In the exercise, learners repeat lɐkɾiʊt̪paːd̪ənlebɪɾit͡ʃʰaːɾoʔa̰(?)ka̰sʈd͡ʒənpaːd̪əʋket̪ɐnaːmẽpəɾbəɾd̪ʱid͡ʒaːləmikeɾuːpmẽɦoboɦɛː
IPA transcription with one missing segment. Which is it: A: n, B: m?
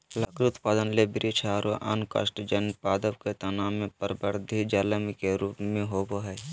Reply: A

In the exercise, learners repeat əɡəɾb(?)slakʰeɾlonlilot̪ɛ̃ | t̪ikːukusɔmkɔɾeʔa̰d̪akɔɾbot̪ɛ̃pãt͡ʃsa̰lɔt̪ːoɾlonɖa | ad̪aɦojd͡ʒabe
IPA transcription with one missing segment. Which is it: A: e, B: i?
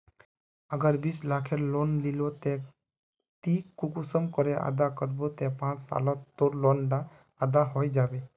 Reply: B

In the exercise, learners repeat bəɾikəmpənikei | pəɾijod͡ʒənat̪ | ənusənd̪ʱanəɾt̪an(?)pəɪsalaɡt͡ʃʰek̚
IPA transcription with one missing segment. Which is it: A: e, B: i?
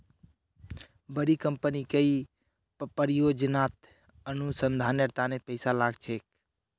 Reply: A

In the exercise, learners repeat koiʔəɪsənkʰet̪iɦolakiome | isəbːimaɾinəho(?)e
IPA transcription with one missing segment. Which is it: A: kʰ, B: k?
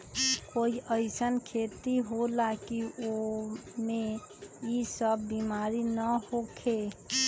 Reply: A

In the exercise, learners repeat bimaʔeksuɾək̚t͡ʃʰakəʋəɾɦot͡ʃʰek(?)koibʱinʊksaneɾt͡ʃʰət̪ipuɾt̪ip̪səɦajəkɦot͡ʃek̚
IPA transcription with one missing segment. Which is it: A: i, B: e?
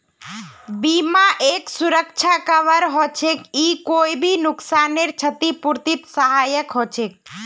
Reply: A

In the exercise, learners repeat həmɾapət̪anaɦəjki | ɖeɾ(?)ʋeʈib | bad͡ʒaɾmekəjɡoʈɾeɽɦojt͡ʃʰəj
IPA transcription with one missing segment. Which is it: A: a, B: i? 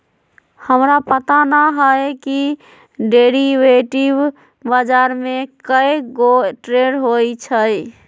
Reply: B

